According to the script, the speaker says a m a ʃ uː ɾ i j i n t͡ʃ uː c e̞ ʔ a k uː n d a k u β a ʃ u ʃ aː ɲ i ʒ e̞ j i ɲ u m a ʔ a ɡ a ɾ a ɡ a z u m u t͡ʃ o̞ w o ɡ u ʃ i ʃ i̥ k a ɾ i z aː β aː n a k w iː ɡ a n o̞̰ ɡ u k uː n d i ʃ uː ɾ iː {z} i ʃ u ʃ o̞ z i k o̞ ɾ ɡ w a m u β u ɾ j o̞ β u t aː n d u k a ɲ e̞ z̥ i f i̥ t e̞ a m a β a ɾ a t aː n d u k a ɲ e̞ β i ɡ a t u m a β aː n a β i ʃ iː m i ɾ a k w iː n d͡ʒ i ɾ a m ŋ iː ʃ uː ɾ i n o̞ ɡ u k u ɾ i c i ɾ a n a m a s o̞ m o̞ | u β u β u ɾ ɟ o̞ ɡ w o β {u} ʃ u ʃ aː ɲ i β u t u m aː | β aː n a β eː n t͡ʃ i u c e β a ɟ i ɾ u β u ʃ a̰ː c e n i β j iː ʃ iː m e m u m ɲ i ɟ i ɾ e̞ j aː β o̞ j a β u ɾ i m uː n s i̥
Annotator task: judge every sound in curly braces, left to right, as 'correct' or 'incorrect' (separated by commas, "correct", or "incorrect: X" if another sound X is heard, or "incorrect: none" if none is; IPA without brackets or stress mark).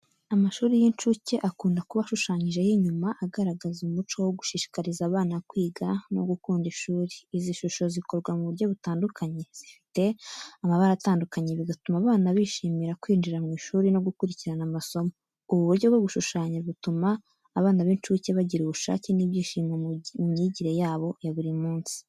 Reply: correct, correct